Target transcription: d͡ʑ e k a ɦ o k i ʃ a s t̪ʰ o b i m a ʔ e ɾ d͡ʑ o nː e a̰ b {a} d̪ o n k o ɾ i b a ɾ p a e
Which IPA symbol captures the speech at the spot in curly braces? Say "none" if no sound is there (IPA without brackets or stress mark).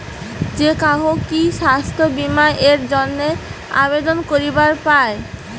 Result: e